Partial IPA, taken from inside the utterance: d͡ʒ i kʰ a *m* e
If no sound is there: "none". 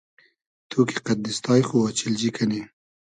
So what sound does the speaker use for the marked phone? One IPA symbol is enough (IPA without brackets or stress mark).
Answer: n